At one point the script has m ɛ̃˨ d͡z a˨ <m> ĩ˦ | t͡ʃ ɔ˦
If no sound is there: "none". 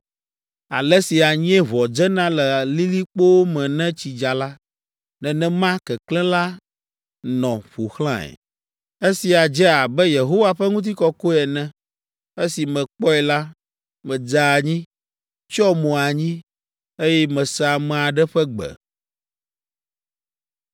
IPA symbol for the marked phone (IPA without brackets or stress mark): ɲ